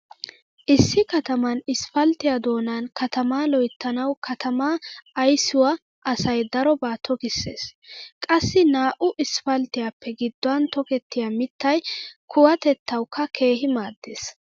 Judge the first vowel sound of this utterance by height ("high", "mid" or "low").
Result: high